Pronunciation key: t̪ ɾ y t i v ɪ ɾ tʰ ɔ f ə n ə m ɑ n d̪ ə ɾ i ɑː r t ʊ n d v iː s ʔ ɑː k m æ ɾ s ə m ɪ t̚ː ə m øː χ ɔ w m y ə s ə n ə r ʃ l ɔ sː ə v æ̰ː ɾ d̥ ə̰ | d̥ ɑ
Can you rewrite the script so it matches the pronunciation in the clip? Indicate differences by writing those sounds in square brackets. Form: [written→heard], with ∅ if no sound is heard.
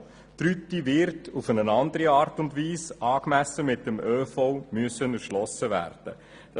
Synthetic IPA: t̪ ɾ y t i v ɪ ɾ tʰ [ɔ→u] f ə n ə [m→n] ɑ n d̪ ə ɾ i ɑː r t ʊ n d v iː s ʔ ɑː k m æ [ɾ→∅] s ə m ɪ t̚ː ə m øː [χ→f] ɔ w m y ə s ə n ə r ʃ l ɔ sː ə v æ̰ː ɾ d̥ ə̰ | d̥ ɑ